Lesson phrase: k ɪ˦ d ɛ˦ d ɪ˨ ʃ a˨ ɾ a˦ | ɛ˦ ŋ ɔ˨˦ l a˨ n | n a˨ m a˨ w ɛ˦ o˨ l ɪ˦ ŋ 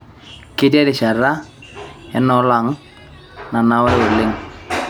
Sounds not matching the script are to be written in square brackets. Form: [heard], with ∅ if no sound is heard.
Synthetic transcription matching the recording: k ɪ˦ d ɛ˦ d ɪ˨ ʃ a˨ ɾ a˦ | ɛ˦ [n] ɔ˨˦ l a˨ [ŋ] | n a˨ [n] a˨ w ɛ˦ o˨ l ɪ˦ ŋ